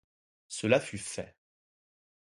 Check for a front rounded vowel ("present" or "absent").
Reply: present